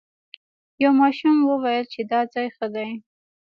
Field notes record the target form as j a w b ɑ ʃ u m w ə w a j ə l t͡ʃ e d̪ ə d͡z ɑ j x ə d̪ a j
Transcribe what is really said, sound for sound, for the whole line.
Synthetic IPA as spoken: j a w m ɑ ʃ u m w ə w a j ə l t͡ʃ e d̪ ɑ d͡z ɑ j x ə d̪ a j